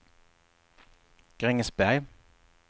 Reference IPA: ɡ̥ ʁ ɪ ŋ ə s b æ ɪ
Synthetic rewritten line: ɡ̥ ʁ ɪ ŋ ə s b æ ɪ